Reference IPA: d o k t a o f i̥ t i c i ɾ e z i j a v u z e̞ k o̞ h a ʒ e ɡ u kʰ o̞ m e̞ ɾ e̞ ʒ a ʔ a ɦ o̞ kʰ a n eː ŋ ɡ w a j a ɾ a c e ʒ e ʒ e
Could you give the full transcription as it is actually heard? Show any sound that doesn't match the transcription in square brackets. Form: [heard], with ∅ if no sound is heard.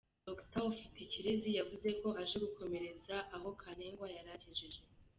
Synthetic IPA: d o k t a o f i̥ t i c i ɾ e z i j a v u z e̞ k o̞ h a ʒ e ɡ u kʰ o̞ m e̞ ɾ e̞ [z] a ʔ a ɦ o̞ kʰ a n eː ŋ ɡ w a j a ɾ a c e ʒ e ʒ e